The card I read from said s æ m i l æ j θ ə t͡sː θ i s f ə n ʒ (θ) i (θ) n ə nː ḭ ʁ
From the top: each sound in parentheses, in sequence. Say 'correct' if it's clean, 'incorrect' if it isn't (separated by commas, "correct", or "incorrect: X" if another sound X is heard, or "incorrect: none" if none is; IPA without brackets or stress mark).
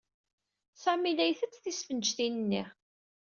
correct, incorrect: none